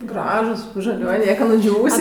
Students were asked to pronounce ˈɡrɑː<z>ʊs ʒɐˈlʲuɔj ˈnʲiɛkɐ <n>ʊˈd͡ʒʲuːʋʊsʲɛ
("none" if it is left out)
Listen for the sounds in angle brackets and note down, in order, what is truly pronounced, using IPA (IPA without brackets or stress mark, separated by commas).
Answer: ʒ, n